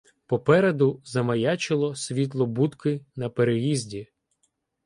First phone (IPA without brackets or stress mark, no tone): p